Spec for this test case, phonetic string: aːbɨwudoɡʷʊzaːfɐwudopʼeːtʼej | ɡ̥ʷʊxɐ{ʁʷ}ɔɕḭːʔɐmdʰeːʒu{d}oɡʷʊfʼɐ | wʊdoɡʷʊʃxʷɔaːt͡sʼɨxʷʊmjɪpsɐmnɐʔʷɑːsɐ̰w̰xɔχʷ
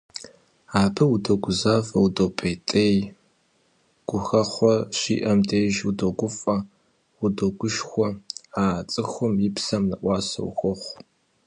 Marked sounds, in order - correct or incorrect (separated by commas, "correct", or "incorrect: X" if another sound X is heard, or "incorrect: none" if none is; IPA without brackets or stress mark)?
incorrect: χʷ, correct